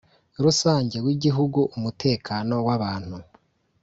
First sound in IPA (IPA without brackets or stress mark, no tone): ɾ